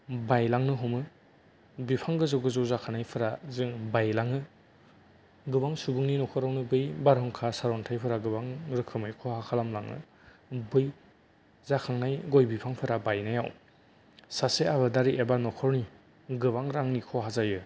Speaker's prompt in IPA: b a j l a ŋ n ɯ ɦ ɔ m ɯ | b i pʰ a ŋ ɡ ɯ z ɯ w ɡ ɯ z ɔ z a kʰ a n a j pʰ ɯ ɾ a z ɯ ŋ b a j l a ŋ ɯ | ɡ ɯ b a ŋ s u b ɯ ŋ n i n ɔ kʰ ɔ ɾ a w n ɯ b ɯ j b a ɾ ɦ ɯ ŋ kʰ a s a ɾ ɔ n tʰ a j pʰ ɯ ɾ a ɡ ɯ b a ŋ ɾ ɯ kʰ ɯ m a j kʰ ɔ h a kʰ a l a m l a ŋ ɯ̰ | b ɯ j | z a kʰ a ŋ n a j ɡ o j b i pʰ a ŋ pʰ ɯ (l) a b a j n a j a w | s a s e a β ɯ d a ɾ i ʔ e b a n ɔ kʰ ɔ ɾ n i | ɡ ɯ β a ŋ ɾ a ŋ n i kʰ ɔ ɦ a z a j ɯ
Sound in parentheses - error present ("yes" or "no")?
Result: yes